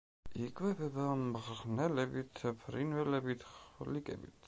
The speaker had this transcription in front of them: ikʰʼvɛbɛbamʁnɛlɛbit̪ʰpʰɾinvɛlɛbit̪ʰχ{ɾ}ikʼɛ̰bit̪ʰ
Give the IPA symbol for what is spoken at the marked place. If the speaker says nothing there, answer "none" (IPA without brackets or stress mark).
l